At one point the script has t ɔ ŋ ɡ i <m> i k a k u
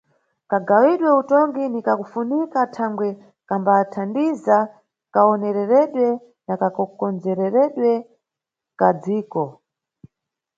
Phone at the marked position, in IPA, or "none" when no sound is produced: n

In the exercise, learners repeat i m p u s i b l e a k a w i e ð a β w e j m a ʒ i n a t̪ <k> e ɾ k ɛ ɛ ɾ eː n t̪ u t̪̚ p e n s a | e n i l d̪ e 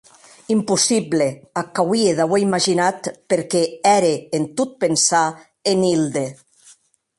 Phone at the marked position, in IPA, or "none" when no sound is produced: p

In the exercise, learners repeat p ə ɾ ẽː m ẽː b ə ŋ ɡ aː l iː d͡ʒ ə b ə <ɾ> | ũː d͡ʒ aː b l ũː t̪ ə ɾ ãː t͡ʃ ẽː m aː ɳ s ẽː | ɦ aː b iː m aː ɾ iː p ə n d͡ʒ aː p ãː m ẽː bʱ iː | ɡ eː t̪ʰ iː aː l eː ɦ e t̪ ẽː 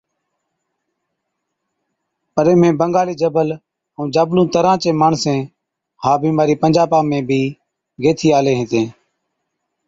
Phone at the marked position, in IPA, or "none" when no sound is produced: l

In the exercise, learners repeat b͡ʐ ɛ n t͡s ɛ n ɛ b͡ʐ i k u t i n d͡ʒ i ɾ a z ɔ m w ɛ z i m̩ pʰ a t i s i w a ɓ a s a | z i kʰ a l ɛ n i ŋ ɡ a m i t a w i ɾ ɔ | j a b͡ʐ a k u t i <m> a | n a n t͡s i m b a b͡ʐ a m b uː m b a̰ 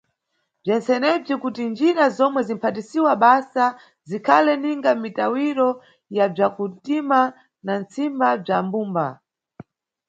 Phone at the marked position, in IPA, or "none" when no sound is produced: m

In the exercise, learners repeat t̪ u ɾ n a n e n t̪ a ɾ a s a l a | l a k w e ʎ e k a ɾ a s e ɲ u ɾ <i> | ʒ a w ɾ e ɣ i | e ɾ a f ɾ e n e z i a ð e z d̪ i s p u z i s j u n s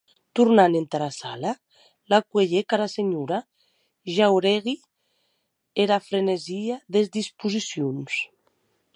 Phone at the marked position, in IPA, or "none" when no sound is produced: a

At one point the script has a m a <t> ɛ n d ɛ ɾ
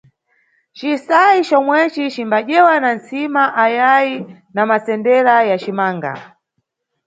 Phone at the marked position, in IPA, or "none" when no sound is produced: s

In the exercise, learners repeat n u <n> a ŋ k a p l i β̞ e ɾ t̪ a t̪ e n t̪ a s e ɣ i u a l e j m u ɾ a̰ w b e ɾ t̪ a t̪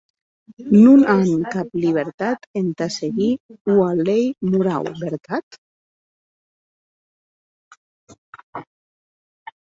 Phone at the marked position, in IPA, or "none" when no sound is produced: n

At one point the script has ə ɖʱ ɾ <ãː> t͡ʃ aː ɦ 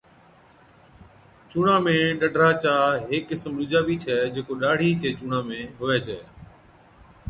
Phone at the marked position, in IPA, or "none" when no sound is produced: aː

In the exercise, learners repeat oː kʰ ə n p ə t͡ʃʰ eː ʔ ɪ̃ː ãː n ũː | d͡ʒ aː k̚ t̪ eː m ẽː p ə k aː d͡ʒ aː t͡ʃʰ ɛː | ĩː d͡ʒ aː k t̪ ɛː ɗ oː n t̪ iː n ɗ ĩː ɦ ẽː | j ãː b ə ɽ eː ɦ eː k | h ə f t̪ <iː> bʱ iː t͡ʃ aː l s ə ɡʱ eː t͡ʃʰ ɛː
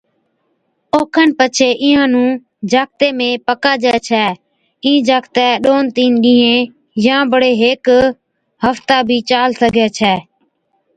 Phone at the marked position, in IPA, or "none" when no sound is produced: aː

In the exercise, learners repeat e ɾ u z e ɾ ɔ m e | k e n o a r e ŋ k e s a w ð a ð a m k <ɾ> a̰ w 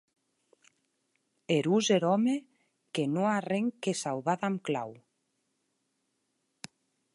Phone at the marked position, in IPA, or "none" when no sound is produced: l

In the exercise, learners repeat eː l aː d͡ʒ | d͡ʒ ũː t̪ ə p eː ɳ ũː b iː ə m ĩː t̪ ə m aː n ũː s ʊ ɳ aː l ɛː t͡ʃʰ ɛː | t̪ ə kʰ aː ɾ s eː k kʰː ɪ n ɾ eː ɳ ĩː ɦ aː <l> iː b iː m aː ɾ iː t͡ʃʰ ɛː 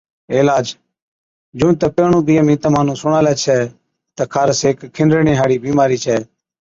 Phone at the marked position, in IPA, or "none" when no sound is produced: ɽ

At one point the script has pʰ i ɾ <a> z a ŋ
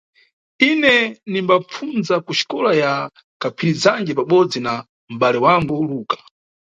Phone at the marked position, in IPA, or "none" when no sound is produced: i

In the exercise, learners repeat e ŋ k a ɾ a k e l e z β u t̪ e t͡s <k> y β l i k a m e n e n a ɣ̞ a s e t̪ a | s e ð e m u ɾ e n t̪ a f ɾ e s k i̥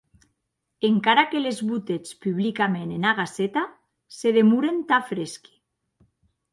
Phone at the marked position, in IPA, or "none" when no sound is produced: p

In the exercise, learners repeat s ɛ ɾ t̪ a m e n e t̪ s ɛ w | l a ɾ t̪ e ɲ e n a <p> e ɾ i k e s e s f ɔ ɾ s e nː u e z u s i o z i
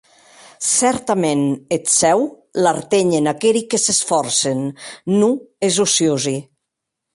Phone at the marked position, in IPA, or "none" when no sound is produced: k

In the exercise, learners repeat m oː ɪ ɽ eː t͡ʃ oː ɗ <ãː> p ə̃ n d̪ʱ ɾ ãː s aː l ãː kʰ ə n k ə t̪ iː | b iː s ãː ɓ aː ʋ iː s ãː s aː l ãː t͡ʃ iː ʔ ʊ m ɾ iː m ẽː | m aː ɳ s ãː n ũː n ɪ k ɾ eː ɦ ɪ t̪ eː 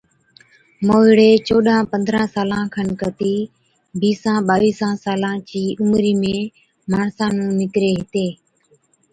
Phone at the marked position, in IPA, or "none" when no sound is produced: ãː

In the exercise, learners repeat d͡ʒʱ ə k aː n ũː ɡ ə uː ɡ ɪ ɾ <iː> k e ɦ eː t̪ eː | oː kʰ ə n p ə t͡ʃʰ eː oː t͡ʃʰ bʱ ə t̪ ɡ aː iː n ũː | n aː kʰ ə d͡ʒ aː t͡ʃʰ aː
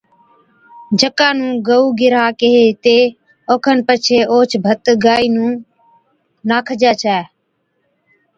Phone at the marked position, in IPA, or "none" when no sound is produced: aː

